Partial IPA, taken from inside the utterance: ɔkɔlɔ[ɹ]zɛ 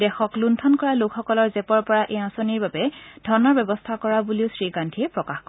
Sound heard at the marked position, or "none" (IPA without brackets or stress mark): ɹ